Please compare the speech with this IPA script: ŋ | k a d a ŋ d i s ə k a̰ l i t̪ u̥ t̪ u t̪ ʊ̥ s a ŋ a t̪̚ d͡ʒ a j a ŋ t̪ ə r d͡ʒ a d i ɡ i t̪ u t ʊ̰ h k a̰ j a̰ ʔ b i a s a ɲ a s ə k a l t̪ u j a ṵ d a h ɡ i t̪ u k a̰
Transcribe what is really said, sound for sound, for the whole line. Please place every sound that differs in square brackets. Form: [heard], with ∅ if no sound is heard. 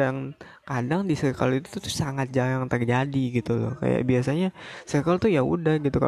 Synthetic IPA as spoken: ŋ | k a d a ŋ d i s ə k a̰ l i t̪ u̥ t̪ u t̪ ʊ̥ s a ŋ a t̪̚ d͡ʒ a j a ŋ t̪ ə r d͡ʒ a d i ɡ i t̪ u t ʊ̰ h k a̰ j a̰ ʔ b i a s a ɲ a s ə k a l t̪ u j a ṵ d a h ɡ i t̪ u k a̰